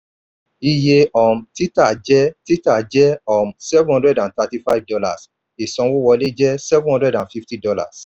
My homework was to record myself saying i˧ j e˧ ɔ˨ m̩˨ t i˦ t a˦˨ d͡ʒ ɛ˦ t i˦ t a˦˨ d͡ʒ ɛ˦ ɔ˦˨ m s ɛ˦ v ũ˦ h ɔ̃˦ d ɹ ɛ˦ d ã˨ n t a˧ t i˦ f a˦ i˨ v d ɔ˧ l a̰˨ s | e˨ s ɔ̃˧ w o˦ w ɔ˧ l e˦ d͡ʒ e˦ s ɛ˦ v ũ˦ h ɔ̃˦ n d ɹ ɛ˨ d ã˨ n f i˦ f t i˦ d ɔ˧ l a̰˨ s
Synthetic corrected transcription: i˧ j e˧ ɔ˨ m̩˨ t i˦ t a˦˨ d͡ʒ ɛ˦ t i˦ t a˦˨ d͡ʒ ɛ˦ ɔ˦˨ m s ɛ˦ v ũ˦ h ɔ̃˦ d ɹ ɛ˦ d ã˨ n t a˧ t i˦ f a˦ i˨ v d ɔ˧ l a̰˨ s | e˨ s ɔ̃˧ w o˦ w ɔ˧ l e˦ d͡ʒ ɛ˦ s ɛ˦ v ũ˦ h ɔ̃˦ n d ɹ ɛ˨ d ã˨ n f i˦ f t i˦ d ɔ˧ l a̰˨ s